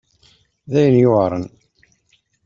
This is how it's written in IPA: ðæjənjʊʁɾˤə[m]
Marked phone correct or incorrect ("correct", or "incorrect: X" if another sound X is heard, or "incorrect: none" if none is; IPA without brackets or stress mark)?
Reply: incorrect: n